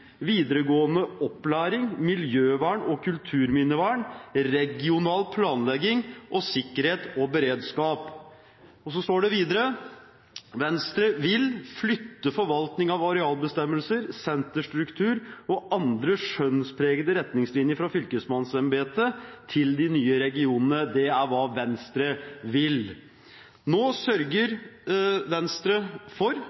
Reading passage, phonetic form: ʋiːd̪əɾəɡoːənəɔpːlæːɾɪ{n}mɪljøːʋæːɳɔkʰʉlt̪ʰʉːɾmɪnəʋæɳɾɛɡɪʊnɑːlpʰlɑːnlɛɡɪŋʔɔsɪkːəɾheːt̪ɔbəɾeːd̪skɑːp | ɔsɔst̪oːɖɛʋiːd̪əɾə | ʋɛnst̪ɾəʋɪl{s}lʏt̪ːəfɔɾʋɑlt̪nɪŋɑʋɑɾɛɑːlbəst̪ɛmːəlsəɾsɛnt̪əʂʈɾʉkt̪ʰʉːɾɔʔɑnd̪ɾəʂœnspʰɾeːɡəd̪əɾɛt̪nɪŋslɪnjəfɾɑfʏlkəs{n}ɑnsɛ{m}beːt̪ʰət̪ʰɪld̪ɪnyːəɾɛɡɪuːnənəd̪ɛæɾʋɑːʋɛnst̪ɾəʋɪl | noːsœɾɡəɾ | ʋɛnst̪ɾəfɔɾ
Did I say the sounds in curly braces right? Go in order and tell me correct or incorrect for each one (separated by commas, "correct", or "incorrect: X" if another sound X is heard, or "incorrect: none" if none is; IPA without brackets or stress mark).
incorrect: ŋ, incorrect: f, incorrect: m, correct